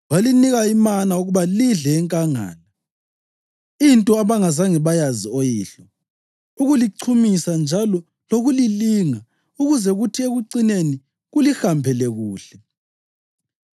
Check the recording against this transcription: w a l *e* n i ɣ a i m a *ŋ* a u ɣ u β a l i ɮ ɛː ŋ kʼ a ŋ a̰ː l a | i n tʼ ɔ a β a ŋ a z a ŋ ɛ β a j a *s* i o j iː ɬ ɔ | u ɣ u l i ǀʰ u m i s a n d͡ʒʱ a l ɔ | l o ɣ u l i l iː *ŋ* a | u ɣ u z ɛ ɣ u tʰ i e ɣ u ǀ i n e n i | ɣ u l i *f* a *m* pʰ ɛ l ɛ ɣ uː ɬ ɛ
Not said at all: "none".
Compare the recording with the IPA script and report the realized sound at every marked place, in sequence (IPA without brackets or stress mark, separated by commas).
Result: i, n, z, ŋ, x, m